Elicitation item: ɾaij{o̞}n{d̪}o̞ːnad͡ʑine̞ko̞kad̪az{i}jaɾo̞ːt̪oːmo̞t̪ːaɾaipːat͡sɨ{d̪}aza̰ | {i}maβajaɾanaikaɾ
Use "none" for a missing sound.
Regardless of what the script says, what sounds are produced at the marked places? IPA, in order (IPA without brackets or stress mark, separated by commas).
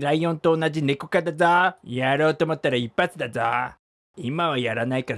õ̞, t̪, a, d̪, i